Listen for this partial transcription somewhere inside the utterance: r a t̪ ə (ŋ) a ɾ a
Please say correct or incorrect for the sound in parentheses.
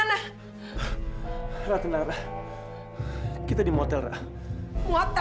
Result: incorrect